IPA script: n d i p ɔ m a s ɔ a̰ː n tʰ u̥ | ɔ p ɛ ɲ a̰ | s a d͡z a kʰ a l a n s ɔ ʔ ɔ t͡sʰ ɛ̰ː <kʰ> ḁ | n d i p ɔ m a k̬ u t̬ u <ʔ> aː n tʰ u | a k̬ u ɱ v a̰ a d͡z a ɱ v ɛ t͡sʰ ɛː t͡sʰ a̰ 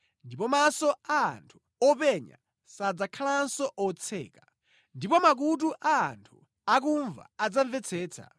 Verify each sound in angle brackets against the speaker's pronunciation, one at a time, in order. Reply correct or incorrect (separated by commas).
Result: incorrect, correct